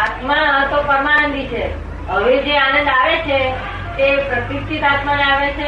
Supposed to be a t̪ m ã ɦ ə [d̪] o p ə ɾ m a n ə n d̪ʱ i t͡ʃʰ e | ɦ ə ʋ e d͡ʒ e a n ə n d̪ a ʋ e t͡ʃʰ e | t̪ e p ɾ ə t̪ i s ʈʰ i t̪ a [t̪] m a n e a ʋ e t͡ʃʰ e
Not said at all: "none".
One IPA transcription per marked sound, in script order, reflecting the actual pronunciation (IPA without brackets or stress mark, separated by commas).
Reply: t̪, t̪